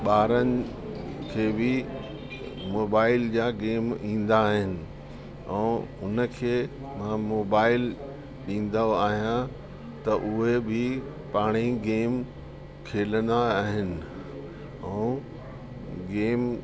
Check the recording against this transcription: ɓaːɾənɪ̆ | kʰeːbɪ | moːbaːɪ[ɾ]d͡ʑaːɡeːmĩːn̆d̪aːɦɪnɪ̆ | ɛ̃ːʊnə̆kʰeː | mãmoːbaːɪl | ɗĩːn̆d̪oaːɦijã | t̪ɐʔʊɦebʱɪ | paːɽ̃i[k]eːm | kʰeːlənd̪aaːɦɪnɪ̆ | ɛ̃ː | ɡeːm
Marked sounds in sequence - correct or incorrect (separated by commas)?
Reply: incorrect, incorrect